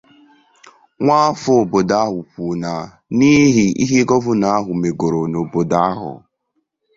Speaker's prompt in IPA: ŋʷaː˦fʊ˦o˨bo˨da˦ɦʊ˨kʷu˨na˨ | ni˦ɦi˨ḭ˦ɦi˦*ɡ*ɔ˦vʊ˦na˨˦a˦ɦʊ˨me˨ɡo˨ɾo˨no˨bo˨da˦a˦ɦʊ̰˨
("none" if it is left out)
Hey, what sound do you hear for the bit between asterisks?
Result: ɡ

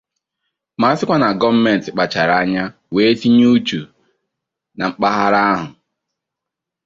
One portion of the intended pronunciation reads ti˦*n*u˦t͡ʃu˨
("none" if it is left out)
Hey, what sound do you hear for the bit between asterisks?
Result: ɲ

